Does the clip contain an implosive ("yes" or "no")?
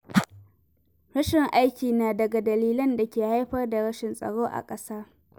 no